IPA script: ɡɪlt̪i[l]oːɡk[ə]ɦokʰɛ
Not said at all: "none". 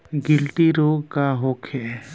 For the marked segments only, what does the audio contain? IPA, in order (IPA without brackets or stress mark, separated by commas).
ɾ, a